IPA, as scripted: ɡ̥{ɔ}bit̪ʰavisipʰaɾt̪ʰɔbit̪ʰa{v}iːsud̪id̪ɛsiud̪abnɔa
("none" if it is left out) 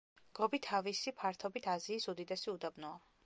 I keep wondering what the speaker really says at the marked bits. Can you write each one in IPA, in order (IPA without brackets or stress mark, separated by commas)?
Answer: ɔ, z